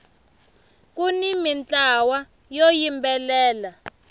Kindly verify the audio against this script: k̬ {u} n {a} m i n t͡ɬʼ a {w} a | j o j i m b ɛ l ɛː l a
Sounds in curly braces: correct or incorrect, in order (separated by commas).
correct, incorrect, correct